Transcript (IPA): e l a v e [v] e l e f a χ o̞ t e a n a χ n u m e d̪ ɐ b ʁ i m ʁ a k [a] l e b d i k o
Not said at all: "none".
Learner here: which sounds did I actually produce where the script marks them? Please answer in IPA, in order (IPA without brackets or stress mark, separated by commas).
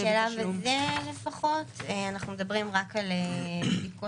z, a